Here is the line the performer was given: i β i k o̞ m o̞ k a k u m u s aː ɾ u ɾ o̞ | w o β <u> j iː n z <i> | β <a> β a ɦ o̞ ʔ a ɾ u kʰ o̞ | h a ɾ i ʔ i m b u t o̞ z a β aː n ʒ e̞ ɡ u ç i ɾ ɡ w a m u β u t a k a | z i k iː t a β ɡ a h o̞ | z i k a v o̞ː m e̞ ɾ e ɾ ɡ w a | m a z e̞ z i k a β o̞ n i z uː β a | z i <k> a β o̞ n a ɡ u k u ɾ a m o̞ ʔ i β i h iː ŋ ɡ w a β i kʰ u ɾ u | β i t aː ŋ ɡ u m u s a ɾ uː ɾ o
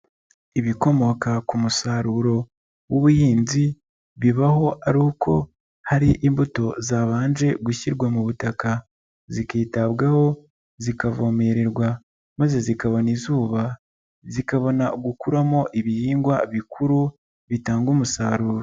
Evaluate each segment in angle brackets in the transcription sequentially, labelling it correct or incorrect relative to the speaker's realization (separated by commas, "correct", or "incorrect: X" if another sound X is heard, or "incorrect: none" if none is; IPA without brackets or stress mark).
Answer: correct, correct, incorrect: i, correct